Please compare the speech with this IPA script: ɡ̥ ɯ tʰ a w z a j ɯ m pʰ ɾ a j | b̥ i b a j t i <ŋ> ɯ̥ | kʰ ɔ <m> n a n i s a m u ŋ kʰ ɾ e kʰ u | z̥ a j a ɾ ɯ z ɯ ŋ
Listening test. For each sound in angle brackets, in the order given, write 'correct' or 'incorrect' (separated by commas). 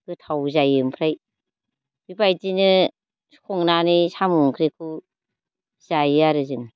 incorrect, incorrect